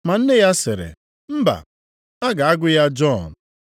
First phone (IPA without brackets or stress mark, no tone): m